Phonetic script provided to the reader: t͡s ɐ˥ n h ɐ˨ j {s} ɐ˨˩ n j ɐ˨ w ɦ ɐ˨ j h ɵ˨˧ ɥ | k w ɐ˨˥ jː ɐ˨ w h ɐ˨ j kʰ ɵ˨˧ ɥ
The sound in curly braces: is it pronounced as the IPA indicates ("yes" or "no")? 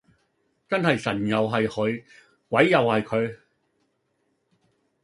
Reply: yes